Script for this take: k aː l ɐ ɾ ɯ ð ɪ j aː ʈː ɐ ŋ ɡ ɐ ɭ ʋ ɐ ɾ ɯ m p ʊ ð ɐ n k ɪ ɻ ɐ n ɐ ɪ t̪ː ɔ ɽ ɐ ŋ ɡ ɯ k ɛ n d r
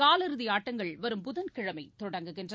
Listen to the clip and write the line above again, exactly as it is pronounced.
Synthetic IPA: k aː l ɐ ɾ ɯ ð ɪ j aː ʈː ɐ ŋ ɡ ɐ ɭ ʋ ɐ ɾ ɯ m p ʊ ð ɐ n k ɪ ɻ ɐ m ɐ ɪ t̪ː ɔ ɽ ɐ ŋ ɡ ɯ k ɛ n d r

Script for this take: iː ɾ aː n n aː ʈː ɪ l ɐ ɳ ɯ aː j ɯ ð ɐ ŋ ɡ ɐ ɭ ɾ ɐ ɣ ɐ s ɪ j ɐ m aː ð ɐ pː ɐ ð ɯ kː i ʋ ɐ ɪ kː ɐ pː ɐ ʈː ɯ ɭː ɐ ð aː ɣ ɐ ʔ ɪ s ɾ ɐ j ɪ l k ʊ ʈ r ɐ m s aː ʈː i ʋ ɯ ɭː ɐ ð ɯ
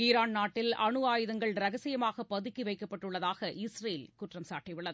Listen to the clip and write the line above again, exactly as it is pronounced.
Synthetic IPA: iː ɾ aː n n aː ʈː ɪ l ɐ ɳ ɯ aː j ɯ ð ɐ ŋ ɡ ɐ ɭ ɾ ɐ ɣ ɐ s ɪ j ɐ m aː ɣ ɐ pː ɐ ð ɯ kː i ʋ ɐ ɪ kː ɐ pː ɐ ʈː ɯ ɭː ɐ ð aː ɣ ɐ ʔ ɪ s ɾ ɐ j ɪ l k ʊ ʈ r ɐ m s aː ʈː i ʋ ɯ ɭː ɐ ð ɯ

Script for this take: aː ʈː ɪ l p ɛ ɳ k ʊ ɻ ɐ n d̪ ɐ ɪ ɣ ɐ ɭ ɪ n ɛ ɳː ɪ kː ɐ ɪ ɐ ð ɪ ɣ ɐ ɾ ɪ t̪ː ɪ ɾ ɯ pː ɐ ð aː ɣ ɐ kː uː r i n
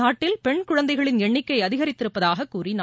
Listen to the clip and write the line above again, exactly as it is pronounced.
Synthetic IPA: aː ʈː ɪ l p ɛ ɳ k ʊ ɻ ɐ n d̪ ɐ ɪ ɣ ɐ ɭ ɪ n ɛ ɳː ɪ kː ɐ ɪ ɐ ð ɪ ɣ ɐ ɾ ɪ t̪ː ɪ ɾ ɯ pː ɐ ð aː ɣ ɐ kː uː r i n

